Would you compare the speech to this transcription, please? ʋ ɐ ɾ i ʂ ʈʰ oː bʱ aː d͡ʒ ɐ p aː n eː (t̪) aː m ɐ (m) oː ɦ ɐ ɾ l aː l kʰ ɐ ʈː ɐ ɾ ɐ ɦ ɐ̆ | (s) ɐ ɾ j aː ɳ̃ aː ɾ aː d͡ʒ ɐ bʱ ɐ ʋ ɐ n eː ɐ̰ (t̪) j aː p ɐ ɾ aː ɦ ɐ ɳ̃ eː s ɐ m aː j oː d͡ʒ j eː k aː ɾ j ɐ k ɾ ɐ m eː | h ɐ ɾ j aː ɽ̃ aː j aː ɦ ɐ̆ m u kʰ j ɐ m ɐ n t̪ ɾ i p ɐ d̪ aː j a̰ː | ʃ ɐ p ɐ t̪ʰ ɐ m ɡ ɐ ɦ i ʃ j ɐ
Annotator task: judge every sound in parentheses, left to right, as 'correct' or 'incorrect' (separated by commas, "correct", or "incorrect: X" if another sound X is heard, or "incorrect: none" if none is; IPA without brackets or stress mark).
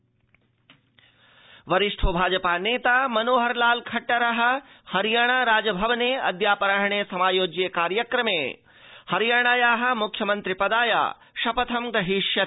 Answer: correct, incorrect: n, incorrect: h, incorrect: d̪